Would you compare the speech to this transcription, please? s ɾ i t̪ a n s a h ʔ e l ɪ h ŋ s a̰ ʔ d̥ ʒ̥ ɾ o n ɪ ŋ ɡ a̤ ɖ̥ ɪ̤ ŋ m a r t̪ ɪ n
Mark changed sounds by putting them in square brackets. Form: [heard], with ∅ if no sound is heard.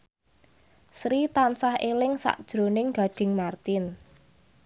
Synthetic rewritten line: s ɾ i t̪ a n s a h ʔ e l ɪ [∅] ŋ s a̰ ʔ d̥ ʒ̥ ɾ o n ɪ ŋ ɡ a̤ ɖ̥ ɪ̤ ŋ m a r t̪ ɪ n